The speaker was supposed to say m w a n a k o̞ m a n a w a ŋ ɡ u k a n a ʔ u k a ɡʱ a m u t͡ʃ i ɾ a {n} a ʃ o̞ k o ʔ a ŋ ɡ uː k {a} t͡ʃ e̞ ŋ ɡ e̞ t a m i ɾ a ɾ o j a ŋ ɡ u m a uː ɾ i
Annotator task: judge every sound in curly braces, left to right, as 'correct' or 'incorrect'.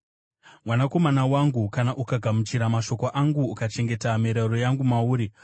incorrect, correct

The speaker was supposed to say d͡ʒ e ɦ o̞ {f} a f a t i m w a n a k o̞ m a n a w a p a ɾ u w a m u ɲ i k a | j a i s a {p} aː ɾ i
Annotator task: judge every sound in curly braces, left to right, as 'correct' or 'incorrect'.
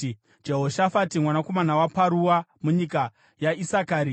incorrect, incorrect

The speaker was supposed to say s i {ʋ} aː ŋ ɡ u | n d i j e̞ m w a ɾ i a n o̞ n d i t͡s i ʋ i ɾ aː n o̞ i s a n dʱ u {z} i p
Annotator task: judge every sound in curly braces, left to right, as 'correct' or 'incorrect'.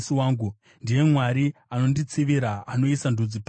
incorrect, incorrect

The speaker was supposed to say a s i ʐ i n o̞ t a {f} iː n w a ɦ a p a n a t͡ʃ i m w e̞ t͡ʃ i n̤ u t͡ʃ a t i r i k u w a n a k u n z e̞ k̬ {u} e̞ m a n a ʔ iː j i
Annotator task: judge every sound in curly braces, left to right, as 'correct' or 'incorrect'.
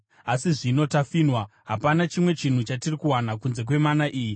correct, incorrect

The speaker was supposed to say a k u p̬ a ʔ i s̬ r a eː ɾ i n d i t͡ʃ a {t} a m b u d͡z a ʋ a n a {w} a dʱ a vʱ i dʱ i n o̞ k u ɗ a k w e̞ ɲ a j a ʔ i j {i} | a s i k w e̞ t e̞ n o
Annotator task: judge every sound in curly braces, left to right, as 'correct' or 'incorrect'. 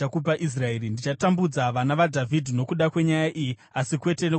correct, incorrect, correct

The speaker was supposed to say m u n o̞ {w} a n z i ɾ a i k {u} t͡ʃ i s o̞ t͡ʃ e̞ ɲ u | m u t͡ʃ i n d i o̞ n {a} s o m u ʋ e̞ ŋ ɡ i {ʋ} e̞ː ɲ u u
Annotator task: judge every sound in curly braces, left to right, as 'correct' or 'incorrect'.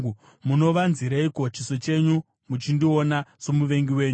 incorrect, incorrect, correct, incorrect

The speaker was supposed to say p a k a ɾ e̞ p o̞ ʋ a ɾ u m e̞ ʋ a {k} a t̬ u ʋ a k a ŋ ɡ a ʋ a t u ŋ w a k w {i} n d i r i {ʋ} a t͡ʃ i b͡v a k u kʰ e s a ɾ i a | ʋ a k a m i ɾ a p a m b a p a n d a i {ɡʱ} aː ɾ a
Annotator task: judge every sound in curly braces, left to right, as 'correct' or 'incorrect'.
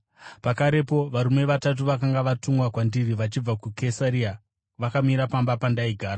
incorrect, incorrect, correct, correct

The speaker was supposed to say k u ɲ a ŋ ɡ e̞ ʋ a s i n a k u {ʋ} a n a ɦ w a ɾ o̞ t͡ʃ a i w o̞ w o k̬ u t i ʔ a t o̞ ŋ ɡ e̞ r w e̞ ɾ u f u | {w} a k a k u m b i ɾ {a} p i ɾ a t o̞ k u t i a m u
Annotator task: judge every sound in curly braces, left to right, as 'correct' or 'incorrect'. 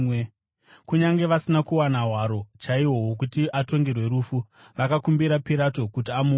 incorrect, incorrect, correct

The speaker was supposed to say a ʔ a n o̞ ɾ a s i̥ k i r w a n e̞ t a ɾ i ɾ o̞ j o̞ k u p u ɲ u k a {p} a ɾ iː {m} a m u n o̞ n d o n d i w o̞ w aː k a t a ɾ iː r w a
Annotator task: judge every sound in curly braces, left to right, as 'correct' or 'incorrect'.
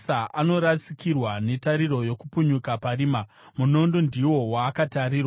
correct, correct

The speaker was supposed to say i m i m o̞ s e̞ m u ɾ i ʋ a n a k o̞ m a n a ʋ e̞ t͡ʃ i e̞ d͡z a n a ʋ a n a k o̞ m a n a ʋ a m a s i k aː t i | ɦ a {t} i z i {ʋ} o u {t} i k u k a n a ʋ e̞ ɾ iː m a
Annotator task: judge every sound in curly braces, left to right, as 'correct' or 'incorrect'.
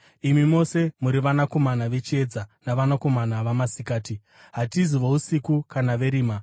correct, correct, incorrect

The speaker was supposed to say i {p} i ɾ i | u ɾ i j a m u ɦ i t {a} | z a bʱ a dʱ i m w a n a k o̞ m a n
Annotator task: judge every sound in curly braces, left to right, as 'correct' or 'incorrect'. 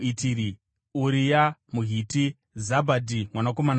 incorrect, incorrect

